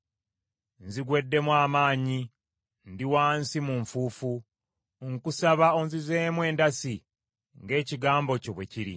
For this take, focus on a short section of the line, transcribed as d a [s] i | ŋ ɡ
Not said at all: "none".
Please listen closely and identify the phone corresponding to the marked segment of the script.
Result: s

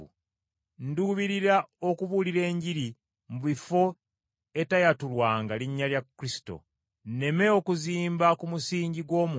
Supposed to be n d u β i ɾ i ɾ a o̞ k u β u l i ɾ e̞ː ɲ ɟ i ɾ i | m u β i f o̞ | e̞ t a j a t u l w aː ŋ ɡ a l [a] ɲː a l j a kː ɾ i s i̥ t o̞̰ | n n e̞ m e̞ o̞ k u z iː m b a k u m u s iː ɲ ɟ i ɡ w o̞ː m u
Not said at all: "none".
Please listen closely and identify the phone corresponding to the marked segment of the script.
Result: i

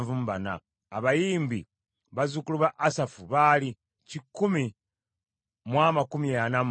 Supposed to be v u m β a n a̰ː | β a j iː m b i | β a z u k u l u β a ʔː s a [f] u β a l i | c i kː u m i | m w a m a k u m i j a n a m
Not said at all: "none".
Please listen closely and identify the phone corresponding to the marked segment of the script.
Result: f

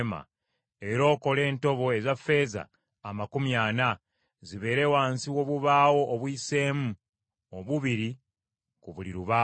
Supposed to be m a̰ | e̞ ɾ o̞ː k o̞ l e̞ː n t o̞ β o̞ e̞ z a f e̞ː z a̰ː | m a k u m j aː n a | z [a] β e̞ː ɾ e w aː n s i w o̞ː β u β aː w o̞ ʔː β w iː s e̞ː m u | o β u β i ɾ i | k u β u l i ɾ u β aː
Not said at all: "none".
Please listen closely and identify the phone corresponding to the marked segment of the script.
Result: i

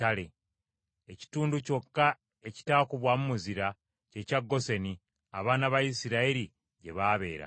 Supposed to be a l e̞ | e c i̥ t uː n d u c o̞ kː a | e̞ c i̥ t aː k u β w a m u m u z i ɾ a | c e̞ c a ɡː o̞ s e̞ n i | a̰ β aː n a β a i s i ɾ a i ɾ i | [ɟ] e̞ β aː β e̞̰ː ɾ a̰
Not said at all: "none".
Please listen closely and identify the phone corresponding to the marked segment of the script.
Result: ɟ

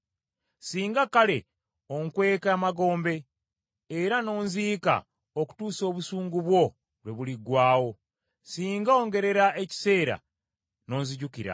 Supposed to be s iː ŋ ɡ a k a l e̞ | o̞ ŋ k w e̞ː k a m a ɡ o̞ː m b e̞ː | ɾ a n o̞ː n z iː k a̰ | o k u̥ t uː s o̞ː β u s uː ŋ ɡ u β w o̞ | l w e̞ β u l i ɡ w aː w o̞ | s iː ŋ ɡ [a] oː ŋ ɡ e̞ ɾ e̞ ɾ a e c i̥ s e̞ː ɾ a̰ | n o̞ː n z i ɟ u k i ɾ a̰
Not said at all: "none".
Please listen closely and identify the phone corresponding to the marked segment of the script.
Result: a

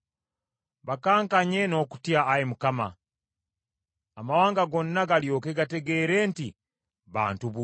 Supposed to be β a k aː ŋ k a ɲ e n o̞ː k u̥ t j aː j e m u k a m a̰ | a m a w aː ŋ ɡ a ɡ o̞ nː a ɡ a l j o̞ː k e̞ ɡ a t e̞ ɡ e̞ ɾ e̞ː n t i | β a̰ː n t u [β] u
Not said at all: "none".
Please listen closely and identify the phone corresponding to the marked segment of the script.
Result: β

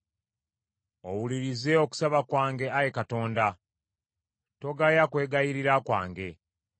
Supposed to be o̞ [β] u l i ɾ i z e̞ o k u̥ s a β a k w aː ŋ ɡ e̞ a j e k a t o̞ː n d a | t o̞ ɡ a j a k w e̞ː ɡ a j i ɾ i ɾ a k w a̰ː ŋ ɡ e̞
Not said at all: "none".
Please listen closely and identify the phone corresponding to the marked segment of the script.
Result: w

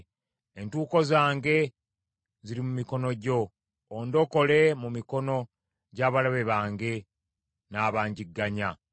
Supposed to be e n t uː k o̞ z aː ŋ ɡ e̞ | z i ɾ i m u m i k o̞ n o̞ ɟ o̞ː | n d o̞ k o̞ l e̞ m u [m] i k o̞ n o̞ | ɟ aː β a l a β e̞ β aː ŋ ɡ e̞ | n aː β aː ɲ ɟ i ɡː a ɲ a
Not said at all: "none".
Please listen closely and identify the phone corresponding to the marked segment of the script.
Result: m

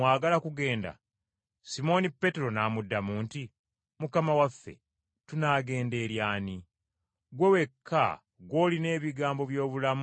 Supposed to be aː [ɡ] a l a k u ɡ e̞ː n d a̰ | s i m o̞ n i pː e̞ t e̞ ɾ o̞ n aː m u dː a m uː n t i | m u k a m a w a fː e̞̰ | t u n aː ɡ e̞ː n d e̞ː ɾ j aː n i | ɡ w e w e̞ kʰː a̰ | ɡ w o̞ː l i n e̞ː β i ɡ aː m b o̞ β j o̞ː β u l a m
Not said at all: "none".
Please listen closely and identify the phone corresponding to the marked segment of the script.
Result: ɡ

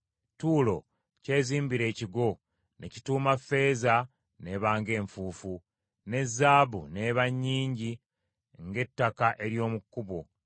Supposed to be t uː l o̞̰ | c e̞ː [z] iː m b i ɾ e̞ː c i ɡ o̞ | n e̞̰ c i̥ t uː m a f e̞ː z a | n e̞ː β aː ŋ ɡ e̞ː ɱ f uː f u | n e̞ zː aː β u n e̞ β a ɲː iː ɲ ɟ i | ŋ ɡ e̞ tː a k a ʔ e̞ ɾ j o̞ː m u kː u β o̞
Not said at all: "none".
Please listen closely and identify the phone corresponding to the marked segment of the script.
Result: z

